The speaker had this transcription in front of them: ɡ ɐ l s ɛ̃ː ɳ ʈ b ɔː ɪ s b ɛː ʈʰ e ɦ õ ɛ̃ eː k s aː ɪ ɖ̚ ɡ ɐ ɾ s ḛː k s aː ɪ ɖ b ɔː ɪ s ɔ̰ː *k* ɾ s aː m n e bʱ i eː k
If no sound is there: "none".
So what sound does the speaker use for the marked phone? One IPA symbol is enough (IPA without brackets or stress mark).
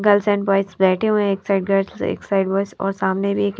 none